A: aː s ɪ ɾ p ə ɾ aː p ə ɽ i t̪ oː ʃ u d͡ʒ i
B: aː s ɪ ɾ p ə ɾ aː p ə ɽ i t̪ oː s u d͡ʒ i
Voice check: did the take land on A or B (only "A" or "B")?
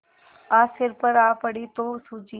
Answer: B